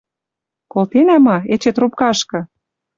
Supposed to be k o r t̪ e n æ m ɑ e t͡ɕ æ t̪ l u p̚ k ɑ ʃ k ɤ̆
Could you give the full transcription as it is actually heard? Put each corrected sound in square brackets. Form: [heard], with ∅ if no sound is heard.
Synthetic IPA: k o [l] t̪ e n æ m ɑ e t͡ɕ [e] t̪ [r] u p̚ k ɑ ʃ k ɤ̆